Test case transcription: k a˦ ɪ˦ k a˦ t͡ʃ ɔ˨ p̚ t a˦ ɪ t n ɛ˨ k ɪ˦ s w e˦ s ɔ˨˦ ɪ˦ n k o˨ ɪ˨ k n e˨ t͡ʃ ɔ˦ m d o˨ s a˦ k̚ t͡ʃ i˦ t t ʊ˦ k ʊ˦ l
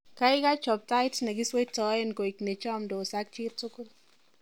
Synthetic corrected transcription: k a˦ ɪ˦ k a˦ t͡ʃ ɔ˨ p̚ t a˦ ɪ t n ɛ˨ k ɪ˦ s w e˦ t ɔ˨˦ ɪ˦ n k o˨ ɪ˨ k n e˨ t͡ʃ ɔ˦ m d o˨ s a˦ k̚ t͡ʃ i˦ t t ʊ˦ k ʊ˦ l